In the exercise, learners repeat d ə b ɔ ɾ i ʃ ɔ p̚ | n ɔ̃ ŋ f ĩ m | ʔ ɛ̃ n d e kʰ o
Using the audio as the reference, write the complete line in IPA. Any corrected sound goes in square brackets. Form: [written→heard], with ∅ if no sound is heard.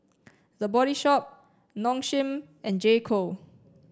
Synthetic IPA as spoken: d ə b ɔ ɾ i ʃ ɔ p̚ | n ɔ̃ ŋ [f→ʃ] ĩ m | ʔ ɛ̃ n [d→d͡ʒ] e kʰ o